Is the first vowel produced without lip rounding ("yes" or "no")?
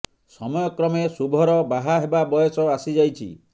no